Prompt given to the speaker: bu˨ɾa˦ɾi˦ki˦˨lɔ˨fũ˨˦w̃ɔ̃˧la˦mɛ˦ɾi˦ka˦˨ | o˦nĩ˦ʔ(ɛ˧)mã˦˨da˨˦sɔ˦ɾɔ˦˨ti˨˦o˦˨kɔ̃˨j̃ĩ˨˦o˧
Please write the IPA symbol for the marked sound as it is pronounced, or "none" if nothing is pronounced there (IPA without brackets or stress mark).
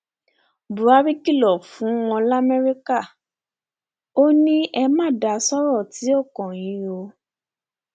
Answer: ɛ˧